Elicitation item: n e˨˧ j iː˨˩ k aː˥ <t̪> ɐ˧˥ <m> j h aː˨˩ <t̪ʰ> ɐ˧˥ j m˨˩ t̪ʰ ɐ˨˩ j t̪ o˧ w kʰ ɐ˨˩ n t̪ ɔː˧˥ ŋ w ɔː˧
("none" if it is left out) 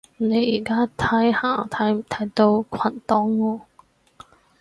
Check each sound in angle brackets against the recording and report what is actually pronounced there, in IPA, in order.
t̪ʰ, none, t̪ʰ

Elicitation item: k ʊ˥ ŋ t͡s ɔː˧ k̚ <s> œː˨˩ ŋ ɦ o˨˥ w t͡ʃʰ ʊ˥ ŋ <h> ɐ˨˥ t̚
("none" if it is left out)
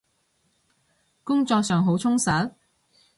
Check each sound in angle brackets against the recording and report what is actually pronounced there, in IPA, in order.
s, s

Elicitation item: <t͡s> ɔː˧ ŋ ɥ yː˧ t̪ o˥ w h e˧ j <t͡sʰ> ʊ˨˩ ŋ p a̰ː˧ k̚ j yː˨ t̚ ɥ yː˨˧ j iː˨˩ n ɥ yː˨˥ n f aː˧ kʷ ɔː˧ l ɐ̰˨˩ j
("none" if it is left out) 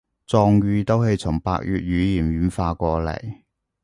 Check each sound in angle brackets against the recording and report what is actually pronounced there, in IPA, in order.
t͡s, t͡sʰ

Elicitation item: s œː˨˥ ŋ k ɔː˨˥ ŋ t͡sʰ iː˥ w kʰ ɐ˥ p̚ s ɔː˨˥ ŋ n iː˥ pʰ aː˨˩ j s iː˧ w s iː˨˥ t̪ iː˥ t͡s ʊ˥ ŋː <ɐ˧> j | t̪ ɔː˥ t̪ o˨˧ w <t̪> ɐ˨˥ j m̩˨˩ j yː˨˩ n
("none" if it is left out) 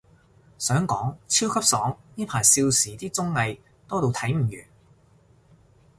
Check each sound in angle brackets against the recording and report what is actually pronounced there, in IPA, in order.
ɐ˧, t̪ʰ

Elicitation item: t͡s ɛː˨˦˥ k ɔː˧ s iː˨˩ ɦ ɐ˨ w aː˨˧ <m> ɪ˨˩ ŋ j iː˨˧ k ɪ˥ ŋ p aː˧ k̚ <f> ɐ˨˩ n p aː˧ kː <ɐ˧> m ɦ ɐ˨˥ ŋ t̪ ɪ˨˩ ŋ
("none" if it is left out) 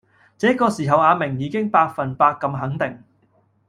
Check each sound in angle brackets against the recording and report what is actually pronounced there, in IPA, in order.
m, f, ɐ˧

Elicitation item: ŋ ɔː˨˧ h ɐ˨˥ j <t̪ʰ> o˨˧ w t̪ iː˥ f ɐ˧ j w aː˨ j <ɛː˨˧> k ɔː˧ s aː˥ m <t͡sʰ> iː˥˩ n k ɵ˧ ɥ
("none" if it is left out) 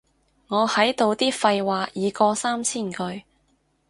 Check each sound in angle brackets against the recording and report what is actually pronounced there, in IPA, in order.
t̪, iː˨˧, t͡sʰ

